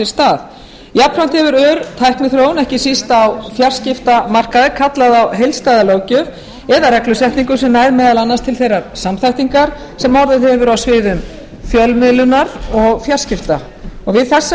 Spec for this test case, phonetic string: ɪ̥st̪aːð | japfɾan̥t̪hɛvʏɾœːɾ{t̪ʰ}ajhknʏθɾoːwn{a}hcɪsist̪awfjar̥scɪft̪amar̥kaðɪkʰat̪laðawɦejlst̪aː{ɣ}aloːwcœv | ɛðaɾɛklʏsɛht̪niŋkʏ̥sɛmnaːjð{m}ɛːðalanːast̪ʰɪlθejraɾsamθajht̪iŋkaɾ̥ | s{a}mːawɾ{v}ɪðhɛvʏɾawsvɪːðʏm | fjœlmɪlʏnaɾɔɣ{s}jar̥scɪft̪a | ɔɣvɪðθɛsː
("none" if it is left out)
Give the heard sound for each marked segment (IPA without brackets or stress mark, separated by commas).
t̪ʰ, ɛ, ð, m, ɛ, ð, f